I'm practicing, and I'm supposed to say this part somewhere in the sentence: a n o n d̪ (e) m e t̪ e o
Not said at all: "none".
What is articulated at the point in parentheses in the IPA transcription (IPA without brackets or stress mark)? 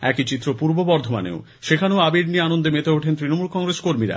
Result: e